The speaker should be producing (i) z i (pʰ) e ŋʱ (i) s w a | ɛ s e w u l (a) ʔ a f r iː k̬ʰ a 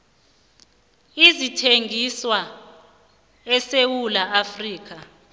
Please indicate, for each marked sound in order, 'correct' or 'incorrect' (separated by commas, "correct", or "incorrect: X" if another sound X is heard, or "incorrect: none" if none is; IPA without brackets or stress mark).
correct, incorrect: tʰ, correct, correct